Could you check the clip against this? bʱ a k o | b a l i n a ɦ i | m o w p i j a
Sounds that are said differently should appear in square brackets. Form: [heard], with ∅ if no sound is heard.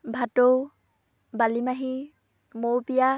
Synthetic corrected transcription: bʱ a [t] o | b a l i [m] a ɦ i | m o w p i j a